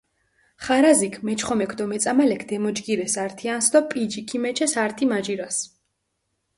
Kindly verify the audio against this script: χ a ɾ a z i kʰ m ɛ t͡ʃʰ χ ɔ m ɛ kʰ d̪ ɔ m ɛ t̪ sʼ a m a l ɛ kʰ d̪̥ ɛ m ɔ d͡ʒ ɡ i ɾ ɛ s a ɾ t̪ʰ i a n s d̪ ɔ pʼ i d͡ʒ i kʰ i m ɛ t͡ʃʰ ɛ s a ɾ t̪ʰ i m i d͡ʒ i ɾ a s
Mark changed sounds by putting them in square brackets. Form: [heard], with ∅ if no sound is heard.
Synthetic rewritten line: χ a ɾ a z i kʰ m ɛ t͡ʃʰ χ ɔ m ɛ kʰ d̪ ɔ m ɛ t̪ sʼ a m a l ɛ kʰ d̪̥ ɛ m ɔ d͡ʒ ɡ i ɾ ɛ s a ɾ t̪ʰ i a n s d̪ ɔ pʼ i d͡ʒ i kʰ i m ɛ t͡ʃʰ ɛ s a ɾ t̪ʰ i m [a] d͡ʒ i ɾ a s

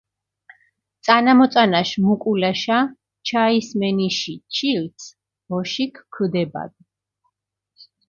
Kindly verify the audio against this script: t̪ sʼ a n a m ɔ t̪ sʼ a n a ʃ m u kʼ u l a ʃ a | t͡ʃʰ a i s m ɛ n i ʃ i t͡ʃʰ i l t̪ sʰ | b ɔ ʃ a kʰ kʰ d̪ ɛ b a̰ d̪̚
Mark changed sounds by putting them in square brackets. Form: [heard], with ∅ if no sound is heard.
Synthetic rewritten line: t̪ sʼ a n a m ɔ t̪ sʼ a n a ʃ m u kʼ u l a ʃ a | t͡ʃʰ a i s m ɛ n i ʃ i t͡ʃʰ i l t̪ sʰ | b ɔ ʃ [i] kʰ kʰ d̪ ɛ b a̰ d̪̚

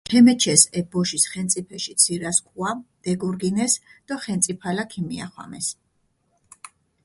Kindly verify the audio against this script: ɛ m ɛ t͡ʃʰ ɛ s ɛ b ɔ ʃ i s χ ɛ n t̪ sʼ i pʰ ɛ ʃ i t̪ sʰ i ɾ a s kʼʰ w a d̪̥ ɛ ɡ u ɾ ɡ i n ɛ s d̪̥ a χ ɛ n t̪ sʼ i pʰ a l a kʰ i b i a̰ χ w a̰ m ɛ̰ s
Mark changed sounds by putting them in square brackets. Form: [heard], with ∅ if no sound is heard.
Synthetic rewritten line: ɛ m ɛ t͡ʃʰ ɛ s ɛ b ɔ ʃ i s χ ɛ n t̪ sʼ i pʰ ɛ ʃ i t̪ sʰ i ɾ a s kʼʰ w a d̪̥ ɛ ɡ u ɾ ɡ i n ɛ s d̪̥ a χ ɛ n t̪ sʼ i pʰ a l a kʰ i [m] i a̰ χ w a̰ m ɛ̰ s

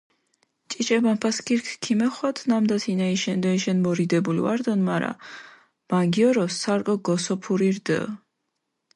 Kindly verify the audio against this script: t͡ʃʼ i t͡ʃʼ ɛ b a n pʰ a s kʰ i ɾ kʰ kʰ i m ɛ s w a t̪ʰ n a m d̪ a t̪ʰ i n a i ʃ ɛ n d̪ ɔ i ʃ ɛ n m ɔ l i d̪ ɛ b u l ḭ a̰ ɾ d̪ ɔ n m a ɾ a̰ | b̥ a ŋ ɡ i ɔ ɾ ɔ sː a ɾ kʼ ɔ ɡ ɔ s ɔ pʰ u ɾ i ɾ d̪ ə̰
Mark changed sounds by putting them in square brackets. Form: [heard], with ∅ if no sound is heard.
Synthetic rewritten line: t͡ʃʼ i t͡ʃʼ ɛ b a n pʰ a s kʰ i ɾ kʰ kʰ i m ɛ [χ] w a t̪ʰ n a m d̪ a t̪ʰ i n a i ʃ ɛ n d̪ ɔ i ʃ ɛ n m ɔ [ɾ] i d̪ ɛ b u l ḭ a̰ ɾ d̪ ɔ n m a ɾ a̰ | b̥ a ŋ ɡ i ɔ ɾ ɔ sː a ɾ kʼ ɔ ɡ ɔ s ɔ pʰ u ɾ i ɾ d̪ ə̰

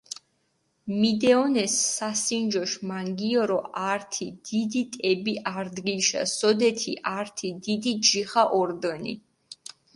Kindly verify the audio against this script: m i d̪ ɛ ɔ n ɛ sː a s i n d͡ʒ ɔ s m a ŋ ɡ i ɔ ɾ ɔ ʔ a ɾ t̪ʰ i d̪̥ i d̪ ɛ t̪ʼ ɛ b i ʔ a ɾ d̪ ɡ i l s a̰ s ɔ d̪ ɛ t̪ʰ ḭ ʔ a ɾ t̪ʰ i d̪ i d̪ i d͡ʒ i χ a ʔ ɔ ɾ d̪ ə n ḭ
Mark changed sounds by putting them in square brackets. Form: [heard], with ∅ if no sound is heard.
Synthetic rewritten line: m i d̪ ɛ ɔ n ɛ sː a s i n d͡ʒ ɔ [ʃ] m a ŋ ɡ i ɔ ɾ ɔ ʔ a ɾ t̪ʰ i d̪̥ i d̪ [i] t̪ʼ ɛ b i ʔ a ɾ d̪ ɡ i l [ʃ] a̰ s ɔ d̪ ɛ t̪ʰ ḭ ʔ a ɾ t̪ʰ i d̪ i d̪ i d͡ʒ i χ a ʔ ɔ ɾ d̪ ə n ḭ

